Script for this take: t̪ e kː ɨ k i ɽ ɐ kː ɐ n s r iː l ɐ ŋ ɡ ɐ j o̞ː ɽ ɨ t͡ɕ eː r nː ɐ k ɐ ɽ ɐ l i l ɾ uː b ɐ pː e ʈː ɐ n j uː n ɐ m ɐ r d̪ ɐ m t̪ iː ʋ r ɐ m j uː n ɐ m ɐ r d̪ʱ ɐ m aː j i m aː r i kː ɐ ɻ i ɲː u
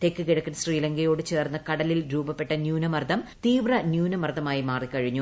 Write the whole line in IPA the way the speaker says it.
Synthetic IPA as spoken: t̪ e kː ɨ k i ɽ ɐ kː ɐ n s r iː l ɐ ŋ ɡ ɐ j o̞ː ɽ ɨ t͡ɕ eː r nː ɐ k ɐ ɽ ɐ l i l ɾ uː b ɐ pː e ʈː ɐ n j uː n ɐ m ɐ r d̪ ɐ m t̪ iː ʋ r ɐ n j uː n ɐ m ɐ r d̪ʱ ɐ m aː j i m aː r i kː ɐ ɻ i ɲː u